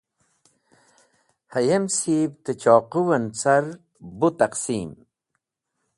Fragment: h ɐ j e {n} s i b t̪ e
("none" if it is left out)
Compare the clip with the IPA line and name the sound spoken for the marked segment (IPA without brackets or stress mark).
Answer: m